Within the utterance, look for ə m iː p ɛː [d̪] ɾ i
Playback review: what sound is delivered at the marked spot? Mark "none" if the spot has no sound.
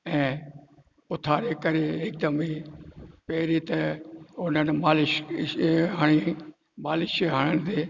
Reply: none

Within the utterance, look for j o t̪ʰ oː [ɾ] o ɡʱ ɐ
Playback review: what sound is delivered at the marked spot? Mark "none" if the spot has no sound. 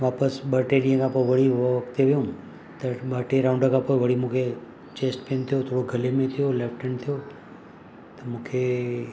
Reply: ɽ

